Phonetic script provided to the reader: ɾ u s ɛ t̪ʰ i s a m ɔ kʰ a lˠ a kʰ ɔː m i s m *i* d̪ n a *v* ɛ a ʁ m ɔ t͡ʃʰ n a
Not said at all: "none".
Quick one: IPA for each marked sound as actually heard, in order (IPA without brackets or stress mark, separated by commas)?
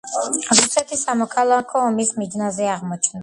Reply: i, z